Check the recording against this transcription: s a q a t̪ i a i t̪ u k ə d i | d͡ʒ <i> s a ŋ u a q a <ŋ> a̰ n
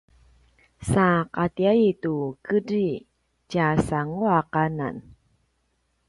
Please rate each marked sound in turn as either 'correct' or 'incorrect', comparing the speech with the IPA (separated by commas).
incorrect, incorrect